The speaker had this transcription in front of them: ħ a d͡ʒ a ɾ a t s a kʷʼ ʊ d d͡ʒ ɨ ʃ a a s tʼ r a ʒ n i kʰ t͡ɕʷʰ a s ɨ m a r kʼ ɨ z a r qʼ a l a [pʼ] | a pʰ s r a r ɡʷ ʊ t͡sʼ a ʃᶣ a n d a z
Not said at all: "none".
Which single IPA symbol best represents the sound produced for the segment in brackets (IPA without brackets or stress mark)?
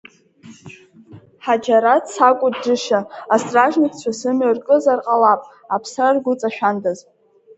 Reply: pʼ